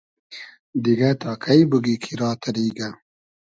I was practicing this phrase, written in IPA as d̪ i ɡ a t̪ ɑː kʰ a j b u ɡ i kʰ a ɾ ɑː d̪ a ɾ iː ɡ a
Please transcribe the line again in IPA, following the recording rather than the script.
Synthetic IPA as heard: d̪ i ɡ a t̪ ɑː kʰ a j b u ɡ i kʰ i ɾ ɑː t̪ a ɾ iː ɡ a